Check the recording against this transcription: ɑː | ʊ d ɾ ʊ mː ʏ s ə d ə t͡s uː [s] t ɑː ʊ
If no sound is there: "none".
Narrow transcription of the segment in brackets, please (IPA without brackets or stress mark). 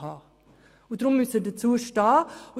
ʃ